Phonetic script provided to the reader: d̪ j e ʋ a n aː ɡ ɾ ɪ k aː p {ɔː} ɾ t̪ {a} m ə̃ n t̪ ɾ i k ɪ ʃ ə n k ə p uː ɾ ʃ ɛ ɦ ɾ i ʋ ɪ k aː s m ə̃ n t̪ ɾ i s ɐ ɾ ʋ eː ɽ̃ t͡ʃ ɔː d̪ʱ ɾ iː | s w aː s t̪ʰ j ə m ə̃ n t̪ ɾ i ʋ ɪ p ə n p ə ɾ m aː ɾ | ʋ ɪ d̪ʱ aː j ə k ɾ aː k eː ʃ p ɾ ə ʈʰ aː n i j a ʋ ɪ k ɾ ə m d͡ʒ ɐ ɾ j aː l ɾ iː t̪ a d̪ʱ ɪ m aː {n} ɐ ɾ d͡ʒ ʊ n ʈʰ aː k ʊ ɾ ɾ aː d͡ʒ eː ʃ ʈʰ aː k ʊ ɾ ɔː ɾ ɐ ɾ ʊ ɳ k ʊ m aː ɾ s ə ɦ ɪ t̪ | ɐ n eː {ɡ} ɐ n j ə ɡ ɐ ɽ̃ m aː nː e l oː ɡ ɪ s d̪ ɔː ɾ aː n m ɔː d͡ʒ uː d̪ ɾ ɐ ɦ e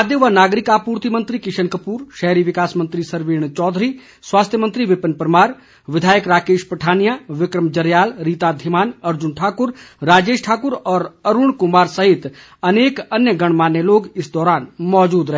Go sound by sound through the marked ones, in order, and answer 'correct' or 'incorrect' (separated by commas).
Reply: incorrect, incorrect, correct, incorrect